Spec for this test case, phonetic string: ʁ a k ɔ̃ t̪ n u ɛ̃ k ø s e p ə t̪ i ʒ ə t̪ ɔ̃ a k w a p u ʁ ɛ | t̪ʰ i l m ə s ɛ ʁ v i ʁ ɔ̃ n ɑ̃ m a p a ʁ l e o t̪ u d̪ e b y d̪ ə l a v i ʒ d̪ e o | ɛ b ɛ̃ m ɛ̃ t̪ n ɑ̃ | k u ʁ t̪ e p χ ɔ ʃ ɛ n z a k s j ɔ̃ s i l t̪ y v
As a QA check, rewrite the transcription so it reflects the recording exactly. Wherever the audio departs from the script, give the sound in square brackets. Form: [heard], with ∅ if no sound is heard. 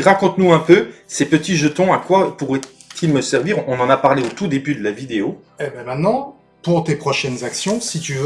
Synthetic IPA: ʁ a k ɔ̃ t̪ n u ɛ̃ [p] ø s e p ə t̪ i ʒ ə t̪ ɔ̃ a k w a p u ʁ ɛ | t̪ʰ i l m ə s ɛ ʁ v i ʁ ɔ̃ n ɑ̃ [n] a p a ʁ l e o t̪ u d̪ e b y d̪ ə l a v i [∅] d̪ e o | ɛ b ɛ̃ m ɛ̃ t̪ n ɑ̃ | [p] u ʁ t̪ e p χ ɔ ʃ ɛ n z a k s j ɔ̃ s i [∅] t̪ y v